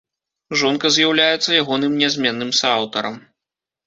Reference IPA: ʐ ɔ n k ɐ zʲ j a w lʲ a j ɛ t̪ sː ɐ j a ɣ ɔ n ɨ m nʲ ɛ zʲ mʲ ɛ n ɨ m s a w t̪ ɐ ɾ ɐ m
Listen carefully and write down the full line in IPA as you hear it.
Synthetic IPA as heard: ʐ ɔ n k ɐ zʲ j a w lʲ a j ɛ t̪ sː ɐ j a ɣ ɔ n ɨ m nʲ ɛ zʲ mʲ ɛ nː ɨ m s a w t̪ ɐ ɾ ɐ m